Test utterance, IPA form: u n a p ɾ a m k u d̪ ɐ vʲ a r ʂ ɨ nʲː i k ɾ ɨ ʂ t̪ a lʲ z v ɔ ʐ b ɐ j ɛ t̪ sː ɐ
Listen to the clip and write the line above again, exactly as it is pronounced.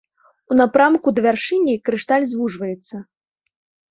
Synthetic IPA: u n a p ɾ a m k u d̪ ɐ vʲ a r ʂ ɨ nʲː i k ɾ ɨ ʂ t̪ a lʲ z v u ʐ v ɐ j ɛ t̪ sː ɐ